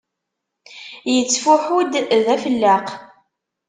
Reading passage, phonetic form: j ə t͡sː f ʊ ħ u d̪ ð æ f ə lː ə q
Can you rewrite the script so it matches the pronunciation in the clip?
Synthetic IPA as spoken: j ə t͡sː f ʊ ħ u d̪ ð æ f ə lː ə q